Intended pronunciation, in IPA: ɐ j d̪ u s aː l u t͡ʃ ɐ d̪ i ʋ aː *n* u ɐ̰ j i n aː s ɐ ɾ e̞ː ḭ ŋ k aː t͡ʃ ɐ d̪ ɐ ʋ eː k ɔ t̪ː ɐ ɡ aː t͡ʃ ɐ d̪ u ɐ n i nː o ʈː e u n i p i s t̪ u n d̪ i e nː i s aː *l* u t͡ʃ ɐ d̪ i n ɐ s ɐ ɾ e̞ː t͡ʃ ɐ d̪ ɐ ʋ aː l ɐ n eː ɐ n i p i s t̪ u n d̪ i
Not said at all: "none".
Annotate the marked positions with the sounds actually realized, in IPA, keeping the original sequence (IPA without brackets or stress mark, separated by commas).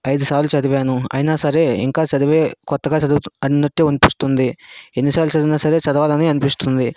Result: n, l